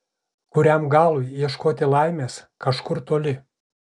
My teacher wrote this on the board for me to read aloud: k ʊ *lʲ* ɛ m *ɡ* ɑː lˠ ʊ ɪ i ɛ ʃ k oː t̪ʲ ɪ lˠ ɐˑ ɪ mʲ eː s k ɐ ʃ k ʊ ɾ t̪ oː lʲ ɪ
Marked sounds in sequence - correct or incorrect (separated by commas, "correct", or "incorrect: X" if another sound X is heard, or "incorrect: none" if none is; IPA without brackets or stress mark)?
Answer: incorrect: ɾʲ, correct